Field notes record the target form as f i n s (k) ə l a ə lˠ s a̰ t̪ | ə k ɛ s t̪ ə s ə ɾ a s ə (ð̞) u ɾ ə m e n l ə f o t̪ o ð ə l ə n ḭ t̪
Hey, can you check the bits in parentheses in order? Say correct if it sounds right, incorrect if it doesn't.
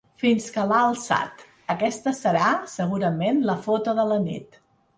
correct, incorrect

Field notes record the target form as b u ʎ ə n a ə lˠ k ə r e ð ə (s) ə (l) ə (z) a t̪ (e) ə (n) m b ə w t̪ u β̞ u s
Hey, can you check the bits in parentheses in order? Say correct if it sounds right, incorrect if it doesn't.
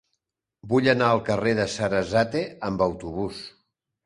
correct, incorrect, correct, correct, incorrect

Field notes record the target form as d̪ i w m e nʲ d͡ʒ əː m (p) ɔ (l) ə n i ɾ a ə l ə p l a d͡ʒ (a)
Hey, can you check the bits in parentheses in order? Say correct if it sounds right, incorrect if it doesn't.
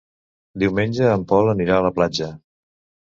correct, correct, incorrect

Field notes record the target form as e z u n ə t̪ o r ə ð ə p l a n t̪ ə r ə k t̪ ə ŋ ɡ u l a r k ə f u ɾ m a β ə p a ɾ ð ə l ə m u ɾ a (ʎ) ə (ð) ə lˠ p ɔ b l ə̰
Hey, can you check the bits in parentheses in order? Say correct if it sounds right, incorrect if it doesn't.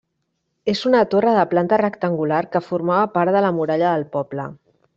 correct, correct

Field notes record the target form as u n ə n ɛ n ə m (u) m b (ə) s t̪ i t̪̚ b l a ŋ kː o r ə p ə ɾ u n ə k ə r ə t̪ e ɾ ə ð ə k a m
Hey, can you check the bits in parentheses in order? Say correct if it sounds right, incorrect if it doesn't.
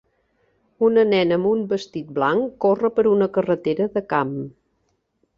correct, correct

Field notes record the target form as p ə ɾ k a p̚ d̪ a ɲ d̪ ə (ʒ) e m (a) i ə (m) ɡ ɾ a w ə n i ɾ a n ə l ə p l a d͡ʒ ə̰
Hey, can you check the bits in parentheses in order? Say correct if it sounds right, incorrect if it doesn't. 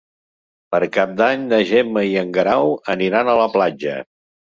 correct, incorrect, incorrect

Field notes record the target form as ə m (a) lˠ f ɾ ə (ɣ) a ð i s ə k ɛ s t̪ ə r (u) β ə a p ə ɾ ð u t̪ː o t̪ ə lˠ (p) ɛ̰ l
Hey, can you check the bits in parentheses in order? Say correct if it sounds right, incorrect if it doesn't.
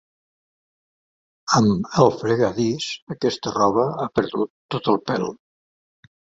incorrect, correct, incorrect, correct

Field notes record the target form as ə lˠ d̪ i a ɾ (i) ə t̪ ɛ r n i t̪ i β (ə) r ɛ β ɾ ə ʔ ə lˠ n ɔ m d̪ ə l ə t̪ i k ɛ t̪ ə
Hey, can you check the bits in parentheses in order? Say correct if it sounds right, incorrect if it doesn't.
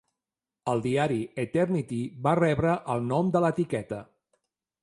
correct, incorrect

